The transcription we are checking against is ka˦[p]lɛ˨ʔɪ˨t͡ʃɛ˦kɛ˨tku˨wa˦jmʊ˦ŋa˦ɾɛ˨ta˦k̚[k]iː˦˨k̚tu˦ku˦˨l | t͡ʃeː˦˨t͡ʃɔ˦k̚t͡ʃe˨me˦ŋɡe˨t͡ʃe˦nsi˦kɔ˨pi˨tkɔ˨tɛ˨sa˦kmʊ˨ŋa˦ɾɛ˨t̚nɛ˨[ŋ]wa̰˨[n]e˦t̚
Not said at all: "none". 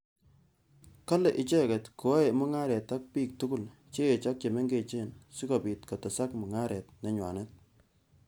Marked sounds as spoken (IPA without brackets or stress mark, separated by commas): none, p, ɲ, n